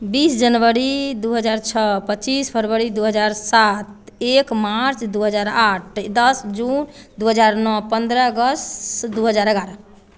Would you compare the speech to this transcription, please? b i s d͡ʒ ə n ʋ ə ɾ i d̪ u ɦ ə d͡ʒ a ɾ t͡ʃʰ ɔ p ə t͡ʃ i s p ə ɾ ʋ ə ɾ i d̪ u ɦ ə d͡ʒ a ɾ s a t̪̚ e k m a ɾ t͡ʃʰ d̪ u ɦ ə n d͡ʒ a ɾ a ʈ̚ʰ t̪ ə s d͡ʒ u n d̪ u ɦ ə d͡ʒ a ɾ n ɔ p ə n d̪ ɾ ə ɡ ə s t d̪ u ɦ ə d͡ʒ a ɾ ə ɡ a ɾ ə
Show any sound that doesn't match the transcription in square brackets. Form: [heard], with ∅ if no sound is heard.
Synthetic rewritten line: b i s d͡ʒ ə n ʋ ə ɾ i d̪ u ɦ ə d͡ʒ a ɾ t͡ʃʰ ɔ p ə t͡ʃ i s [pʰ] ə ɾ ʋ ə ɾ i d̪ u ɦ ə d͡ʒ a ɾ s a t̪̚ e k m a ɾ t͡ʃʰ d̪ u ɦ ə [∅] d͡ʒ a ɾ a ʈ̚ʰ [d̪] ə s d͡ʒ u n d̪ u ɦ ə d͡ʒ a ɾ n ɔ p ə n d̪ ɾ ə ɡ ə s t d̪ u ɦ ə d͡ʒ a ɾ ə ɡ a ɾ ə

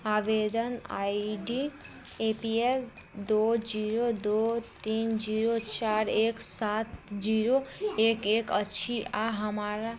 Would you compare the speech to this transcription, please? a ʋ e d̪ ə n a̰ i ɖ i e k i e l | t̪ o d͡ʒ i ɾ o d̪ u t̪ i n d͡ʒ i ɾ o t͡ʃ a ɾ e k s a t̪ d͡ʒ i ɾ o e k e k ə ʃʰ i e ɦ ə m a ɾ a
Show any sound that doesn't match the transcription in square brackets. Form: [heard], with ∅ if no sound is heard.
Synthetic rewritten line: a ʋ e d̪ ə n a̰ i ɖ i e [p] i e l | [d̪] o d͡ʒ i ɾ o d̪ [o] t̪ i n d͡ʒ i ɾ o t͡ʃ a ɾ e k s a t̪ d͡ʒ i ɾ o e k e k ə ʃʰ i [a] ɦ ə m a ɾ a

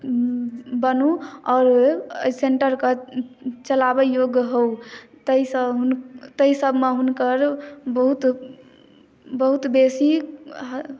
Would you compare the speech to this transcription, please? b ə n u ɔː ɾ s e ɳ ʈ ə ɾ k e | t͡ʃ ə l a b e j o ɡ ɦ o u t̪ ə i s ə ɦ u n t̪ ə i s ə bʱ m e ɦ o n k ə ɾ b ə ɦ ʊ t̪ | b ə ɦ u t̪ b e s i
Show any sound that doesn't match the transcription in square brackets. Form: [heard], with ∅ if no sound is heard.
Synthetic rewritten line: b ə n u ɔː ɾ s e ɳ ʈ ə ɾ k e | t͡ʃ ə l a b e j o ɡ ɦ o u t̪ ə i s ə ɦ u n t̪ ə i s ə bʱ m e ɦ [u] n k ə ɾ b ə ɦ [u] t̪ | b ə ɦ u t̪ b e s i

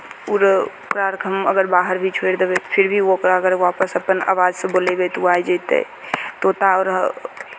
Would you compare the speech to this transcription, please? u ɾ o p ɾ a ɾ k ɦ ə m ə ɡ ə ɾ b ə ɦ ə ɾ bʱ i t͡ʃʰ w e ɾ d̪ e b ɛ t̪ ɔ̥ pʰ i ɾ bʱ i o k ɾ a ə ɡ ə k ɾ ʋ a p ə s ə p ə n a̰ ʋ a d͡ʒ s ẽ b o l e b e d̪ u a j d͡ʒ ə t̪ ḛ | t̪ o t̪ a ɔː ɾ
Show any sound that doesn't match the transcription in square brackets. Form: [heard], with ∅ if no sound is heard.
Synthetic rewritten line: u ɾ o [k] ɾ a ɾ k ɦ ə m ə ɡ ə ɾ b [a] ɦ ə ɾ bʱ i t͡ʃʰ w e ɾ d̪ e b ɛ t̪ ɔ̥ pʰ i ɾ bʱ i o k ɾ a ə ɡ ə [∅] ɾ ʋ a p ə s ə p ə n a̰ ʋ a d͡ʒ s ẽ b o l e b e [t̪] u a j d͡ʒ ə t̪ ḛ | t̪ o t̪ a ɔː ɾ

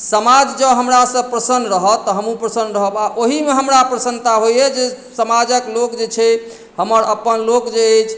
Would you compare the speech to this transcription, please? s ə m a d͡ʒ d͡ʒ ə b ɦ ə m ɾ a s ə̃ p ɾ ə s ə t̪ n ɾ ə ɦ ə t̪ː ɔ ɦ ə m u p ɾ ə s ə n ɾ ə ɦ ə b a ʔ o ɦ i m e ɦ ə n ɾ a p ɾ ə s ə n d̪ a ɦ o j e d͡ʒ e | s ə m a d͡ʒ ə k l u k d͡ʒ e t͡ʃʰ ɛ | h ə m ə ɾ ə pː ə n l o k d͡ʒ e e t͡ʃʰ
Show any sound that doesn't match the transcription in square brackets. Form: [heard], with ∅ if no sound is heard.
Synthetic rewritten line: s ə m a d͡ʒ d͡ʒ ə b ɦ ə m ɾ a s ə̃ p ɾ ə s ə [∅] n ɾ ə ɦ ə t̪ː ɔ ɦ ə m u p ɾ ə s ə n ɾ ə ɦ ə b a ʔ o ɦ i m e ɦ ə [m] ɾ a p ɾ ə s ə n [t̪] a ɦ o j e d͡ʒ e | s ə m a d͡ʒ ə k l [o] k d͡ʒ e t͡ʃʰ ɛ | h ə m ə ɾ ə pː ə n l o k d͡ʒ e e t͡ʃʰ

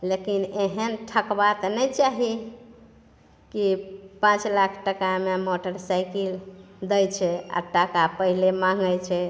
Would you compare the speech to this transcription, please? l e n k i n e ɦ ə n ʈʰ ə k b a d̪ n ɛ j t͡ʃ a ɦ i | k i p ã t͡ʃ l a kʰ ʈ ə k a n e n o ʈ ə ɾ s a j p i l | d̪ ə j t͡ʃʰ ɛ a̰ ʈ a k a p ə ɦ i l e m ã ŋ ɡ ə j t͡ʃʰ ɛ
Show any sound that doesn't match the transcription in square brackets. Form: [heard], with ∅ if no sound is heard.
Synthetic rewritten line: l e [∅] k i n e ɦ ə n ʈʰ ə k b a [t̪] n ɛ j t͡ʃ a ɦ i | k i p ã t͡ʃ l a kʰ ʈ ə k a [m] e [m] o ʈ ə ɾ s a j [k] i l | d̪ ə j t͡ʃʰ ɛ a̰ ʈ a k a p ə ɦ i l e m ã ŋ ɡ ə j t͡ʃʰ ɛ

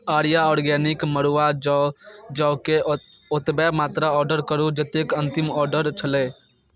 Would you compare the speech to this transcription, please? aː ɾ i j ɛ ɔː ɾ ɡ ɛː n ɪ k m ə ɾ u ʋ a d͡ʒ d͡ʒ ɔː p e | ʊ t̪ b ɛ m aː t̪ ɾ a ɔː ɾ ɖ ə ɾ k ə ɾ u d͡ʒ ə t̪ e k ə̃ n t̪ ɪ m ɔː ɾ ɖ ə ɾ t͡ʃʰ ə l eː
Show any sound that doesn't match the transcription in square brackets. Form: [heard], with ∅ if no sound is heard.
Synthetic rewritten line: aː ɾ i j [a] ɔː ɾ ɡ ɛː n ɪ k m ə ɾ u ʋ a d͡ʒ d͡ʒ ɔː [k] e | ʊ t̪ b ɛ m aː t̪ ɾ a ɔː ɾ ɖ ə ɾ k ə ɾ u d͡ʒ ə t̪ e k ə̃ n t̪ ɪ m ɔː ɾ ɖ ə ɾ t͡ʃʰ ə l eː

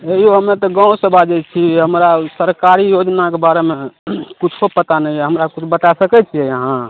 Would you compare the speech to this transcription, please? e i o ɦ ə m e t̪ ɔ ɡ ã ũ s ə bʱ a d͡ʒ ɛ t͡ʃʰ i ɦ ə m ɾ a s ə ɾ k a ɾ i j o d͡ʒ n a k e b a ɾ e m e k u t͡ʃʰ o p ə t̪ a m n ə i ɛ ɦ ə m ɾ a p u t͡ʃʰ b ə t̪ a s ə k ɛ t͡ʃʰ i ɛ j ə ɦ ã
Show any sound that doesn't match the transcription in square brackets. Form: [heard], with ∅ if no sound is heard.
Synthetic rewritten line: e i o ɦ ə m e t̪ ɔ ɡ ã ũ s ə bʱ a d͡ʒ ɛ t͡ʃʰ i ɦ ə m ɾ a s ə ɾ k a ɾ i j o d͡ʒ n a k e b a ɾ e m e k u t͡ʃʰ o p ə t̪ a [∅] n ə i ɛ ɦ ə m ɾ a [k] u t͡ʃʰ b ə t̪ a s ə k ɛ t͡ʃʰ i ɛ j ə ɦ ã

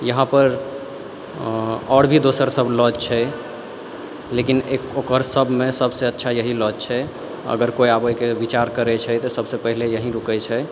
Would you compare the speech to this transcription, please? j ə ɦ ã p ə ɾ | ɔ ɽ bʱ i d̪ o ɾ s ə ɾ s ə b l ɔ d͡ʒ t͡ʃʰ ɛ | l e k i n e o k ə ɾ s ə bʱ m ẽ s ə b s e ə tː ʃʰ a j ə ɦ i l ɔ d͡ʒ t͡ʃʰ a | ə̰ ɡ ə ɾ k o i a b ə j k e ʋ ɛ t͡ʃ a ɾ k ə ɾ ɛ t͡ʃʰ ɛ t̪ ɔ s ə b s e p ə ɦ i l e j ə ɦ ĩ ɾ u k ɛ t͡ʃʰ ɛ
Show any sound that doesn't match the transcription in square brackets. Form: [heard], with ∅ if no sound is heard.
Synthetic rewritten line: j ə ɦ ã p ə ɾ | ɔ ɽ bʱ i d̪ o [∅] s ə ɾ s ə b l ɔ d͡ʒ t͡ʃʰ ɛ | l e k i n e o k ə ɾ s ə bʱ m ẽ s ə b s e ə tː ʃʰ a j ə ɦ i l ɔ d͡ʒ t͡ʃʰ [ɛ] | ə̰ ɡ ə ɾ k o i a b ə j k e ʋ [i] t͡ʃ a ɾ k ə ɾ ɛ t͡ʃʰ ɛ t̪ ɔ s ə b s e p ə ɦ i l e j ə ɦ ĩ ɾ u k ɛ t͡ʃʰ ɛ

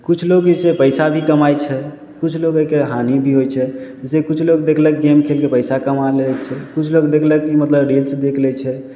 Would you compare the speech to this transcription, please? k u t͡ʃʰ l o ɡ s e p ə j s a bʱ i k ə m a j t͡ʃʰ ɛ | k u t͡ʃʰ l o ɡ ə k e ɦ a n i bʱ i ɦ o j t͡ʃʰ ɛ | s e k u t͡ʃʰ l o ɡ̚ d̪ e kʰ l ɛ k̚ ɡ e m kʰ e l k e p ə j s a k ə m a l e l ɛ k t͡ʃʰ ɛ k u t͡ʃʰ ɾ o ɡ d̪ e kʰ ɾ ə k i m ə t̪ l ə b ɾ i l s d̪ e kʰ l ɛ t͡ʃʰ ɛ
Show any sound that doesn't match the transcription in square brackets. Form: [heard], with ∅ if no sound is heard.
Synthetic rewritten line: k u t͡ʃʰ l o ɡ s e p ə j s a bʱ i k ə m a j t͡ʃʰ ɛ | k u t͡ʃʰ l o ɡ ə k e ɦ a n i bʱ i ɦ o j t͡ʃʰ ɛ | s e k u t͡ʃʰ l o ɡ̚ d̪ e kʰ l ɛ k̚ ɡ e m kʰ e l k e p ə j s a k ə m a l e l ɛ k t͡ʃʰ ɛ k u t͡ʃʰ [l] o ɡ d̪ e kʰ [l] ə k i m ə t̪ l ə b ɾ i l s d̪ e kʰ l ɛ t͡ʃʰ ɛ

